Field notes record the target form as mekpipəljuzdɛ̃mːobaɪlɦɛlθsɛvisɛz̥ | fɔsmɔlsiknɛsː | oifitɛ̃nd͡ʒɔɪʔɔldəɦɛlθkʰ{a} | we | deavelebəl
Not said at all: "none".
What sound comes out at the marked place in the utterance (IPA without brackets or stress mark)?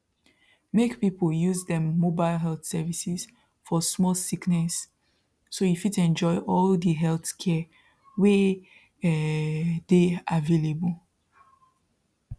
ɛ